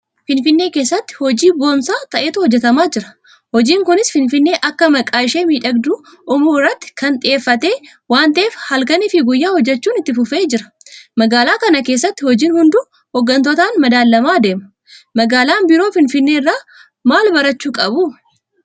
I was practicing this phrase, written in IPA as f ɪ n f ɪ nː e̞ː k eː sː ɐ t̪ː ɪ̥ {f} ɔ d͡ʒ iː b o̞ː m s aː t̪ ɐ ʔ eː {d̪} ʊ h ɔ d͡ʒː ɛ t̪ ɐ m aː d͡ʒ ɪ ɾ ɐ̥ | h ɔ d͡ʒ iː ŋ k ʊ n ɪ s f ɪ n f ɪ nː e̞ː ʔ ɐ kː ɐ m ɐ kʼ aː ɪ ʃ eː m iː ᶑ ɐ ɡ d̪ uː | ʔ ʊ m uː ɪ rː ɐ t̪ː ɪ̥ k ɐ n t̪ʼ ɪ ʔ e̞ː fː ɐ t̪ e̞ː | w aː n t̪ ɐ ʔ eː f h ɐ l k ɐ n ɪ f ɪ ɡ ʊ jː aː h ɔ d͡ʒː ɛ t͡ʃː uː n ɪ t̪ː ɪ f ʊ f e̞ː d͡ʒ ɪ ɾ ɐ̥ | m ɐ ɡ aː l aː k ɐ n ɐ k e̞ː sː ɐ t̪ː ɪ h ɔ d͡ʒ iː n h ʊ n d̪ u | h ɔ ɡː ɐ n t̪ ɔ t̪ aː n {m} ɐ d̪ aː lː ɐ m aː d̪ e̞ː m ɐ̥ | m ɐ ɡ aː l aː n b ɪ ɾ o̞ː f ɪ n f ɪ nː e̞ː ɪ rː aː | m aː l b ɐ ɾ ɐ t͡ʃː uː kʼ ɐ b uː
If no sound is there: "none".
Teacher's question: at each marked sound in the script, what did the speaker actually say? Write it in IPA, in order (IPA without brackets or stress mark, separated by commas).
h, t̪, m